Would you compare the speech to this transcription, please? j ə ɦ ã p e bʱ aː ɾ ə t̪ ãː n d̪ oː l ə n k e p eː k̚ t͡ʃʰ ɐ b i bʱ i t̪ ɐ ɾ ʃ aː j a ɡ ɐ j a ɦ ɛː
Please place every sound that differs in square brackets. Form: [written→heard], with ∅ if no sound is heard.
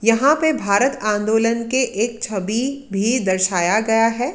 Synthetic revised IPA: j [ə→ɐ] ɦ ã p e bʱ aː ɾ ə t̪ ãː n d̪ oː l ə n k e [p→ʔ] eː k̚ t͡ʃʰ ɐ b i bʱ i [t̪→d̪] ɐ ɾ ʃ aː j a ɡ ɐ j a ɦ ɛː